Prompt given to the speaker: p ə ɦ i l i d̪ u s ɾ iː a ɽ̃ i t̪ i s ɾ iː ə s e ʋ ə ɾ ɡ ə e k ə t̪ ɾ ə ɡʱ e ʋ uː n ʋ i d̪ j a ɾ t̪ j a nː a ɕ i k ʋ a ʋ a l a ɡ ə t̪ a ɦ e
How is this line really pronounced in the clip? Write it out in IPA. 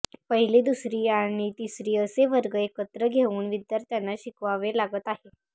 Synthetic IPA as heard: p ə ɦ i l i d̪ u s ɾ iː a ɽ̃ i t̪ i s ɾ iː ə s e ʋ ə ɾ ɡ ə e k ə t̪ ɾ ə ɡʱ e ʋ uː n ʋ i d̪ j a ɾ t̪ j a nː a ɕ i k ʋ a ʋ e l a ɡ ə t̪ a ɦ e